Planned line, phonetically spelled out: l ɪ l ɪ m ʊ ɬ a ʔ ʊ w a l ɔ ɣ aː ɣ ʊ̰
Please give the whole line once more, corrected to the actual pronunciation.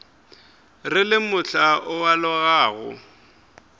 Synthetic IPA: r ɪ l ɪ m ʊ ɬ a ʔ ʊ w a l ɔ ɣ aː ɣ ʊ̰